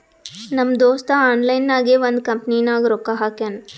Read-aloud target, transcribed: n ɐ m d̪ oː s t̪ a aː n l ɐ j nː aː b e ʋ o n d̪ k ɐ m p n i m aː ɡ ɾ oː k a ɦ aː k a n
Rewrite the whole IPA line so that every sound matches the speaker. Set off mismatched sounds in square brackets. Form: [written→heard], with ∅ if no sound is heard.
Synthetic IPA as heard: n ɐ m d̪ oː s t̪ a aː n l ɐ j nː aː [b→ɡ] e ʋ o n d̪ k ɐ m p n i [m→n] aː ɡ ɾ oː k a ɦ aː k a n